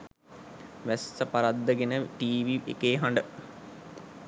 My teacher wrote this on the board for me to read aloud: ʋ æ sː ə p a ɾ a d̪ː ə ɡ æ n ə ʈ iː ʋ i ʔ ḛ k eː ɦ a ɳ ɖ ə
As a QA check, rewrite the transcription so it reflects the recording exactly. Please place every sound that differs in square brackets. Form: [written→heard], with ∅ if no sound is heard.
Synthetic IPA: ʋ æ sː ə p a ɾ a d̪ː ə ɡ [æ→e] n ə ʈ iː ʋ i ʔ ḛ k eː ɦ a ɳ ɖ ə